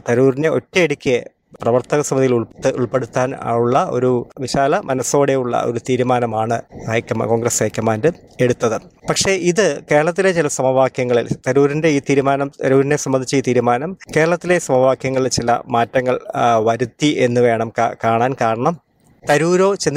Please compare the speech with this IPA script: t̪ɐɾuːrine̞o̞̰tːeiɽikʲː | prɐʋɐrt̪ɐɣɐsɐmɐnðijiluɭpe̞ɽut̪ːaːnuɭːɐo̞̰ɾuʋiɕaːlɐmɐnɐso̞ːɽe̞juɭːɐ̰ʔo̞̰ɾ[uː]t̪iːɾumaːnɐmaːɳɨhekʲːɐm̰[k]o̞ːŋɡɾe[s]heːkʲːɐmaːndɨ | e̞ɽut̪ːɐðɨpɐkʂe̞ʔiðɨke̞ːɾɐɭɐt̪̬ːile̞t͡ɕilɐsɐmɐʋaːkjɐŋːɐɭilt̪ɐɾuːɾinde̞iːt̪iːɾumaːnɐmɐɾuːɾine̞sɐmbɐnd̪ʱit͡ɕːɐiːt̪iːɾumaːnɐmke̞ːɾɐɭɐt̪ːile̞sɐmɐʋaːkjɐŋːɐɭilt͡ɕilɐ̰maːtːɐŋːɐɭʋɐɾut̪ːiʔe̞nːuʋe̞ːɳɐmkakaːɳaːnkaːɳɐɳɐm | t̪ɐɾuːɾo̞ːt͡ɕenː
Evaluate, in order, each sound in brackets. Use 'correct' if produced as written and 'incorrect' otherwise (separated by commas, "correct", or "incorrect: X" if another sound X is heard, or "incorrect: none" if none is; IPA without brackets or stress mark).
incorrect: u, correct, correct